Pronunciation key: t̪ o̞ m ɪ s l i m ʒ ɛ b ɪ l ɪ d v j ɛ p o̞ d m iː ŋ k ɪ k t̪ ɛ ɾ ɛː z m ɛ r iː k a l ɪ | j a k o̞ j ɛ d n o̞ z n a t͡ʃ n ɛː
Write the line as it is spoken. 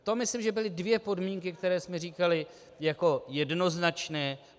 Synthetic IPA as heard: t̪ o̞ m ɪ s l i m ʒ ɛ b ɪ l ɪ d v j ɛ p o̞ d m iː ŋ k ɪ k t̪ ɛ ɾ ɛː s m ɛ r iː k a l ɪ | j a k o̞ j ɛ d n o̞ z n a t͡ʃ n ɛː